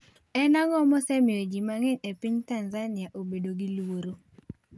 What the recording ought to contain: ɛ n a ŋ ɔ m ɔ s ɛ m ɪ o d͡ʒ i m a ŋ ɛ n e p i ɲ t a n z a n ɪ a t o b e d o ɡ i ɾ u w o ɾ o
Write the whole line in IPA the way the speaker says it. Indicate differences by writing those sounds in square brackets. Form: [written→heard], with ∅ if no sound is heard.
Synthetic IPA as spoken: ɛ n a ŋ ɔ m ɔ s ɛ m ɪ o d͡ʒ i m a ŋ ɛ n e p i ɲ t a n z a n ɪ a [t→ʔ] o b e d o ɡ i [ɾ→l] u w o ɾ o

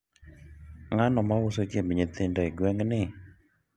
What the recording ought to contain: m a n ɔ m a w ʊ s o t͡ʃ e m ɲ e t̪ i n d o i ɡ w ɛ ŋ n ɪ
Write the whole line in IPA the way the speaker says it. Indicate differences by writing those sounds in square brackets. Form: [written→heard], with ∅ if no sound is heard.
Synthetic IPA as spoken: [m→ŋ] a n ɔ m a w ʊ s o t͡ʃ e m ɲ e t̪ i n d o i ɡ w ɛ ŋ n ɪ

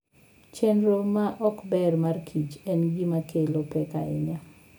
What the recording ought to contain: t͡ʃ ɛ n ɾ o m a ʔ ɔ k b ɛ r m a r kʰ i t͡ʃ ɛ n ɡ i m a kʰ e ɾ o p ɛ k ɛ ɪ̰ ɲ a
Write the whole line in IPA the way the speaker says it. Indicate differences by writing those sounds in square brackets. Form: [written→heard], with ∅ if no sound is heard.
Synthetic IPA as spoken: t͡ʃ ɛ n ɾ o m a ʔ ɔ k b ɛ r m a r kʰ i t͡ʃ ɛ n ɡ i m a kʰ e [ɾ→l] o p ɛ k [ɛ→a] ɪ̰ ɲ a

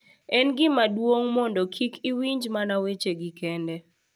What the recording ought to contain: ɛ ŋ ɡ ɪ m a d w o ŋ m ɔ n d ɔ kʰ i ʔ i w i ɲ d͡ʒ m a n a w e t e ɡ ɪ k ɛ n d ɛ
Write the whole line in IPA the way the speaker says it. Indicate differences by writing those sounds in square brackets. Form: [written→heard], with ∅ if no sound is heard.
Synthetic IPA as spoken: ɛ [ŋ→n] ɡ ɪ m a d w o ŋ m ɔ n d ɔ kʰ i [ʔ→k] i w i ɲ d͡ʒ m a n a w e [t→t͡ʃ] e ɡ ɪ k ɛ n d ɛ

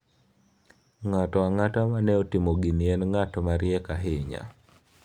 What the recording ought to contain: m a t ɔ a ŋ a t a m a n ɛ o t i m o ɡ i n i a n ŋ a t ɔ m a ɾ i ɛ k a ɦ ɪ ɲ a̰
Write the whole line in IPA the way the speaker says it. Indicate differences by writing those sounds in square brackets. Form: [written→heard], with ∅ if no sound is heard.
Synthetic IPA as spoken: [m→ŋ] a t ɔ a ŋ a t a m a n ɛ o t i m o ɡ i n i [a→ɛ] n ŋ a t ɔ m a ɾ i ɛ k a ɦ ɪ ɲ a̰

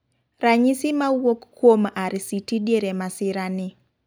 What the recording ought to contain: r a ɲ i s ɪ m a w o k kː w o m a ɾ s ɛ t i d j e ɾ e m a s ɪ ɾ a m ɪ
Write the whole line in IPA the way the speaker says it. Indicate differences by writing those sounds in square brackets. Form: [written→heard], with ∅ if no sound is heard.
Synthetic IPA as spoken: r a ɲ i s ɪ m a w o k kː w o m a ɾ s [ɛ→i] t i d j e ɾ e m a s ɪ ɾ a [m→n] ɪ

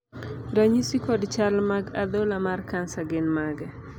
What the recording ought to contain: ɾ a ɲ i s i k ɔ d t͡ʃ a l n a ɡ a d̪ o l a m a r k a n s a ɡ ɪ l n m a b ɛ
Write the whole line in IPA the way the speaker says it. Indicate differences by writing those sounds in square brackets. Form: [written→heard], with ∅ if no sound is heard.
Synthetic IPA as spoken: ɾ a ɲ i s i k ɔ d t͡ʃ a l [n→m] a ɡ a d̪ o l a m a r k a n s a ɡ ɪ [l→∅] n m a [b→ɡ] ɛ

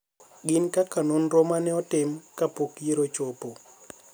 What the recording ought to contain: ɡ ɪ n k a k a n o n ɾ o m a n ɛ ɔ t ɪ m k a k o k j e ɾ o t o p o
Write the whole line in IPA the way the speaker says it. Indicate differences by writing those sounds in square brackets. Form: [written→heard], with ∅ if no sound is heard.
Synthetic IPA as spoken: ɡ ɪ n k a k a n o n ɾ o m a n ɛ ɔ t ɪ m k a [k→p] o k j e ɾ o [t→t͡ʃ] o p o

